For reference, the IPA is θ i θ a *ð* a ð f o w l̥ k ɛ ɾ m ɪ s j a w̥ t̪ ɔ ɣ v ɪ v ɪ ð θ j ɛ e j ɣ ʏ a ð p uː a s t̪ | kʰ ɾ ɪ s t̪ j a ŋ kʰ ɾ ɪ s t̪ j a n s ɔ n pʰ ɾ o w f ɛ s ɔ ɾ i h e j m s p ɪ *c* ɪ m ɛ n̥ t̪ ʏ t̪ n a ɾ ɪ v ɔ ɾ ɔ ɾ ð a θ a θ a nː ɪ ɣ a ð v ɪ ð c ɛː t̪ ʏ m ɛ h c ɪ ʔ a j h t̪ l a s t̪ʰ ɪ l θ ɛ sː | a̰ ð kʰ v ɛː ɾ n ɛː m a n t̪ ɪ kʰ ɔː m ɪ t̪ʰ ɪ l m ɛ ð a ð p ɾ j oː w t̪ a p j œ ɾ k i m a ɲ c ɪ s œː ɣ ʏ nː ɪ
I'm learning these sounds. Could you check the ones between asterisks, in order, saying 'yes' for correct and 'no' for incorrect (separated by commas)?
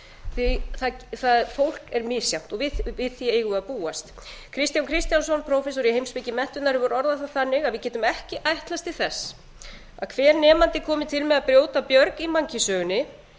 no, yes